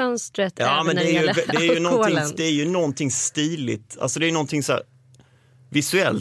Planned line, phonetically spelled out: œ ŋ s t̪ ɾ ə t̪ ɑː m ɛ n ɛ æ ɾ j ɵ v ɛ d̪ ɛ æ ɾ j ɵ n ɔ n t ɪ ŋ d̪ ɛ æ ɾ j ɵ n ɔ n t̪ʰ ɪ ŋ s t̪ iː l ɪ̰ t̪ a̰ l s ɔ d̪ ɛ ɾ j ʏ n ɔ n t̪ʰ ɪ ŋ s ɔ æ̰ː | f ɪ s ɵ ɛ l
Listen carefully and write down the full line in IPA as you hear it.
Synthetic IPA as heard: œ n s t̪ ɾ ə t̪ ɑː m ɛ n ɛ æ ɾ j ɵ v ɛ d̪ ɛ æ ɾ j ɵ n ɔ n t ɪ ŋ d̪ ɛ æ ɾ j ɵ n ɔ n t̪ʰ ɪ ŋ s t̪ iː l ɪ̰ t̪ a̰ l s ɔ d̪ ɛ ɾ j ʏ n ɔ n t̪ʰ ɪ ŋ s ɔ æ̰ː | v ɪ s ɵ ɛ l